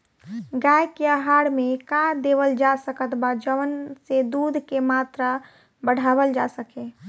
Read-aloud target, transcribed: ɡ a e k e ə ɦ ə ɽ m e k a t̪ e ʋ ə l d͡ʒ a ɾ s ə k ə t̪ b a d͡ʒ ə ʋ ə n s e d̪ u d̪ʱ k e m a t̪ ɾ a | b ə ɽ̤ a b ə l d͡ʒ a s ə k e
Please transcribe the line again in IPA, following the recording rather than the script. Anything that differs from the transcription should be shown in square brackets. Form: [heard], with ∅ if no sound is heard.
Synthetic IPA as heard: ɡ a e k e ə ɦ [a] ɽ m e k a [d̪] e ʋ ə l d͡ʒ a [∅] s ə k ə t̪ b a d͡ʒ ə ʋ ə n s e d̪ u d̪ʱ k e m a t̪ ɾ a | b ə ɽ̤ a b ə l d͡ʒ a s ə k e

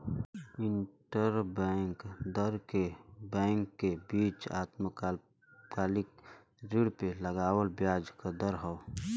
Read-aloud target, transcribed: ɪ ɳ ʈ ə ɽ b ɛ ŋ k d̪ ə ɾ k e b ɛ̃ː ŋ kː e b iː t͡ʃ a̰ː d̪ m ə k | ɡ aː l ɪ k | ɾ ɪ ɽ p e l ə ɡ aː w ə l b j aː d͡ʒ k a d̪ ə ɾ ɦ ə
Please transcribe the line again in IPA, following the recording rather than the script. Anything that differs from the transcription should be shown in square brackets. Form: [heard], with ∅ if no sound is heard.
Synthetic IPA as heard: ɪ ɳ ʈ ə [ɾ] b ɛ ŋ k d̪ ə ɾ k e b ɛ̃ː ŋ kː e b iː t͡ʃ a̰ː [t̪] m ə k | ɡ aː l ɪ k | ɾ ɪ ɽ p e l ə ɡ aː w ə l b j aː d͡ʒ k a d̪ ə ɾ ɦ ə

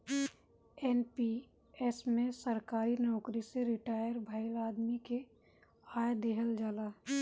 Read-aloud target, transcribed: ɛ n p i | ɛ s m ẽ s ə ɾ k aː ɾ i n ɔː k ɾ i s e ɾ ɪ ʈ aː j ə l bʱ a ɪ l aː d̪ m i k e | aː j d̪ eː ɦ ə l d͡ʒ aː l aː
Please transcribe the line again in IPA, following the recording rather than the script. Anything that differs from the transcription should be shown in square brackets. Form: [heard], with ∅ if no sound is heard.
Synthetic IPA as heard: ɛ n p i | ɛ s m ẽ s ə ɾ k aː ɾ i n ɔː k ɾ i s e ɾ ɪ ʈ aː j ə [ɾ] bʱ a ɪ l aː d̪ m i k e | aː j d̪ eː ɦ ə l d͡ʒ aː l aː

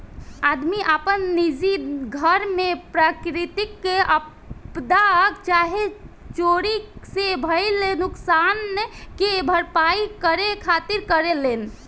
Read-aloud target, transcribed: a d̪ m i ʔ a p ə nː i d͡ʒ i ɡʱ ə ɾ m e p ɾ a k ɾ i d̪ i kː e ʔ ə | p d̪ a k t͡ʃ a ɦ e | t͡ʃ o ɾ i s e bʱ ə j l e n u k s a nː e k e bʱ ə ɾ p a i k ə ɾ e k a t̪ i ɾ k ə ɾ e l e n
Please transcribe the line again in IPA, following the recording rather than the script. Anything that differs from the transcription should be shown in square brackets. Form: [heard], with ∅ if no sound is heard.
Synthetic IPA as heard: a d̪ m i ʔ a p ə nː i d͡ʒ i ɡʱ ə ɾ m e p ɾ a k ɾ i [t̪] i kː e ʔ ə | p d̪ a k t͡ʃ a ɦ e | t͡ʃ o ɾ i s e bʱ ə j l e n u k s a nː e k e bʱ ə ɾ p a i k ə ɾ e [kʰ] a t̪ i ɾ k ə ɾ e l e n

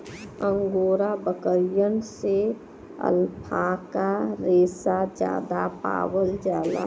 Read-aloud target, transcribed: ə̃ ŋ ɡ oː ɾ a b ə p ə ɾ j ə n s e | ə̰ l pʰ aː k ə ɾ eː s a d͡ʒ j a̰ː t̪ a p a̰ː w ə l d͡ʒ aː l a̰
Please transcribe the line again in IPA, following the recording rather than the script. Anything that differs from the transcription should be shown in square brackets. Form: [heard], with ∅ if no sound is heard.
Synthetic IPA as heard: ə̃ ŋ ɡ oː ɾ a b ə [k] ə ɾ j ə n s e | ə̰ l pʰ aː k [a] ɾ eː s a d͡ʒ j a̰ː [d̪] a p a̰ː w ə l d͡ʒ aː l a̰

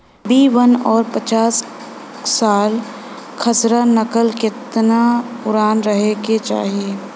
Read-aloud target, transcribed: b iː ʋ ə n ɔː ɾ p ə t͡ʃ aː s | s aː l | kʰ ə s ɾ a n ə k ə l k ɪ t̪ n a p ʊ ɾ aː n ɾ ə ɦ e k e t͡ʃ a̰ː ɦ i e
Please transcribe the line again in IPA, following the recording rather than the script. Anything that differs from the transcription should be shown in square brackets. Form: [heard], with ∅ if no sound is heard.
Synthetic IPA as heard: b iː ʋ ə n ɔː ɾ p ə t͡ʃ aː s | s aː l | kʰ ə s ɾ a n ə k ə l k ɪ t̪ n a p ʊ ɾ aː n ɾ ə ɦ e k e t͡ʃ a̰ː ɦ i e

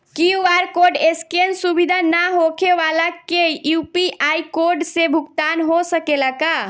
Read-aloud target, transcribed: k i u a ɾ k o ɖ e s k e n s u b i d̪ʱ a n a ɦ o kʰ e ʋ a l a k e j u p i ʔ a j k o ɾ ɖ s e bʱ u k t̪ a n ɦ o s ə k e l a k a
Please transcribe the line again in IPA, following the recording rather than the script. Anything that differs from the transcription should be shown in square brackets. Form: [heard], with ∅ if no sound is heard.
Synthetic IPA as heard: k i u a ɾ k o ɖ e s k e n s u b i d̪ʱ a n a ɦ o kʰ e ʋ a l a k e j u p i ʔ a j k o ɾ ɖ s e bʱ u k t̪ a n ɦ o s ə k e l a k a

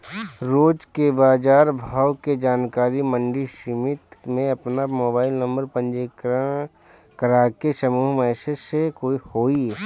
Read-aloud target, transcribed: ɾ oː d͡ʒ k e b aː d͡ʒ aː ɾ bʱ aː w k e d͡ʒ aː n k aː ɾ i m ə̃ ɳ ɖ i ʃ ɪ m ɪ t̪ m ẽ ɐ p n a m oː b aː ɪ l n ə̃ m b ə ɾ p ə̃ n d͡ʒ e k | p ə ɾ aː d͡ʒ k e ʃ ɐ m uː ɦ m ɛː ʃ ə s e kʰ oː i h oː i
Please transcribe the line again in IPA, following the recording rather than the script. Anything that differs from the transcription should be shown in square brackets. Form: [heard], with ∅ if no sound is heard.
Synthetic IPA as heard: ɾ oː d͡ʒ k e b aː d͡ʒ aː ɾ bʱ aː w k e d͡ʒ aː n k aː ɾ i m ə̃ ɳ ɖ i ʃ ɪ m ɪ t̪ m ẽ ɐ p n a m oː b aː ɪ l n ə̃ m b ə ɾ p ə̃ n d͡ʒ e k | [k] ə ɾ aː [∅] k e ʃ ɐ m uː ɦ m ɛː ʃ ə s e [k] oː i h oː i

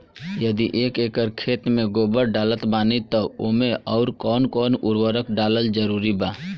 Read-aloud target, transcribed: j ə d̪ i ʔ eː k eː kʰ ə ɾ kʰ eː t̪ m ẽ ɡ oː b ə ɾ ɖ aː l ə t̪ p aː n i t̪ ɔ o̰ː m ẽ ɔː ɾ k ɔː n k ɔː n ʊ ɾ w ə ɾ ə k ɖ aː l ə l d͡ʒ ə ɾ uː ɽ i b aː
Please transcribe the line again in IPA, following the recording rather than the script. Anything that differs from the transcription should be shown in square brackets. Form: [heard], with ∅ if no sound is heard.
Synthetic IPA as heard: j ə d̪ i ʔ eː k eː [k] ə ɾ kʰ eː t̪ m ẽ ɡ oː b ə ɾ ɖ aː l ə t̪ [b] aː n i t̪ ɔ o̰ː m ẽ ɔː ɾ k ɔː n k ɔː n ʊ ɾ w ə ɾ ə k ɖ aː l ə l d͡ʒ ə ɾ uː [ɾ] i b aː

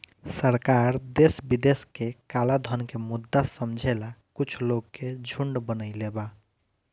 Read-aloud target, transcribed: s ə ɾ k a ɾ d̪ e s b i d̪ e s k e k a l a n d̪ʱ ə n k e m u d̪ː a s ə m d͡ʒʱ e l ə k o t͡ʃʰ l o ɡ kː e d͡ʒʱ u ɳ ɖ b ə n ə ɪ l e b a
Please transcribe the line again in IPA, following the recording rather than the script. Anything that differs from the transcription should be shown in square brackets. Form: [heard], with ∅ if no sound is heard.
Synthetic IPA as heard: s ə ɾ k a ɾ d̪ e s b i d̪ e s k e k a l a [∅] d̪ʱ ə n k e m u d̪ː a s ə m d͡ʒʱ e l [a] k [u] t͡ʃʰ l o ɡ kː e d͡ʒʱ u ɳ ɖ b ə n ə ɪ l e b a

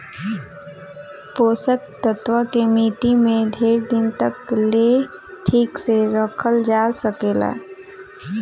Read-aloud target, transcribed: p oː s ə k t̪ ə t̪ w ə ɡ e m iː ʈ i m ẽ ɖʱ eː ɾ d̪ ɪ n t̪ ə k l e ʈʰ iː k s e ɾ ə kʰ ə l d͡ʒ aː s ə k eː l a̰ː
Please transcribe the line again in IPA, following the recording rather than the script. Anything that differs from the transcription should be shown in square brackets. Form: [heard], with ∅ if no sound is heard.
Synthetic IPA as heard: p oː s ə k t̪ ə t̪ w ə [k] e m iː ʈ i m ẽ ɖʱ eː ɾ d̪ ɪ n t̪ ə k l e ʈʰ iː k s e ɾ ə kʰ ə l d͡ʒ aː s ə k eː l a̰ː

